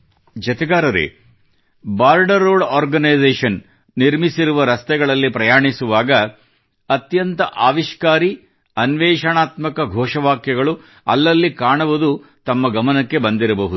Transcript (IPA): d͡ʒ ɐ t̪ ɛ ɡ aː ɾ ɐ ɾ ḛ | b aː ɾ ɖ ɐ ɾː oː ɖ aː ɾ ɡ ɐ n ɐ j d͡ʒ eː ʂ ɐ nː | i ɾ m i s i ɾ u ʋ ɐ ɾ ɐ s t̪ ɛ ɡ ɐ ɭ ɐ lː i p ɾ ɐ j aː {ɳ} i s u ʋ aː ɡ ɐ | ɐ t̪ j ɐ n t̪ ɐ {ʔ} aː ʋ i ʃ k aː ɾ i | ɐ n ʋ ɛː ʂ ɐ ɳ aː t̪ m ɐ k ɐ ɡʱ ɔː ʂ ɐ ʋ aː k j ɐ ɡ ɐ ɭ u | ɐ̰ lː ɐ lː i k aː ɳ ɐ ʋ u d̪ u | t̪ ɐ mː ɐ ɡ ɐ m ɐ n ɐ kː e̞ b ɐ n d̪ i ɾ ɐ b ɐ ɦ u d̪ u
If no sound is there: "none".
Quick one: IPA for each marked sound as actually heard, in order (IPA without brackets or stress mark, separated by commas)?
ɳ, ʔ